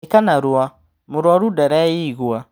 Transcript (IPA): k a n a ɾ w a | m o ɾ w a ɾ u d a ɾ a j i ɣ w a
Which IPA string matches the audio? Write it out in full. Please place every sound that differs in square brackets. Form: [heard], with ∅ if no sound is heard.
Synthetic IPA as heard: k a n a ɾ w a | m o ɾ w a ɾ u d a ɾ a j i ɣ w a